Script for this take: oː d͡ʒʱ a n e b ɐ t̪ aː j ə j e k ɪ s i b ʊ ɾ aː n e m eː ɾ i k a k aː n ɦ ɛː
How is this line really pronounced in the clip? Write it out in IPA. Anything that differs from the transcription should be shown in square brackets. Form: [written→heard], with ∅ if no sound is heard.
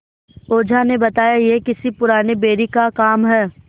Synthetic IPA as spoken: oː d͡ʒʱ a n e b ɐ t̪ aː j [ə→a] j e k ɪ s i [b→p] ʊ ɾ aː n e [m→b] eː ɾ i k a k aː [n→m] ɦ ɛː